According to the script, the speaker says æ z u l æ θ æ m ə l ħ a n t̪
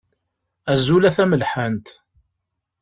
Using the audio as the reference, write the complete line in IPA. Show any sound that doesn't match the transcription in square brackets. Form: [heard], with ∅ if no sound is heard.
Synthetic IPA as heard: æ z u l æ θ æ m ə l ħ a n t̪